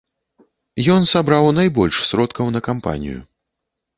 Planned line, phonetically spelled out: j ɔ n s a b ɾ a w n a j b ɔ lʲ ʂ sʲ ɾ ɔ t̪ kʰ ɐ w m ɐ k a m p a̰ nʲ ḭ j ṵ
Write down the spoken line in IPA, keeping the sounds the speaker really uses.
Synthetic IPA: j ɔ n s a b ɾ a w n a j b ɔ lʲ ʂ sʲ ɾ ɔ t̪ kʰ ɐ w n ɐ k a m p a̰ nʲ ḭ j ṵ